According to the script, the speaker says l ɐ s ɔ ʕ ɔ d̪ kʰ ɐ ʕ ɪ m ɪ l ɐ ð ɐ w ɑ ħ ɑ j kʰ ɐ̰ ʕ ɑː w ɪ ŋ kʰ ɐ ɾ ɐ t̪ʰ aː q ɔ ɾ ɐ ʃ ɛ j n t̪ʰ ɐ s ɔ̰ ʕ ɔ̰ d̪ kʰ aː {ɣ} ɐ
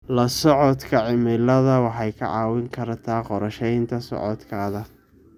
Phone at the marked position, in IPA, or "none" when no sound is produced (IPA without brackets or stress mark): ð